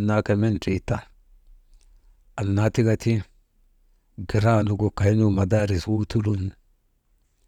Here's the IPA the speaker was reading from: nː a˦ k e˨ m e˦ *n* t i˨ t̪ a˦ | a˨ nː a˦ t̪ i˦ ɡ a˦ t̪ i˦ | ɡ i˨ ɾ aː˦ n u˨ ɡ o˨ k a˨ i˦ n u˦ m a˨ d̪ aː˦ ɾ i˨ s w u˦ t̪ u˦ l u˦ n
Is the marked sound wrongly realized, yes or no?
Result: no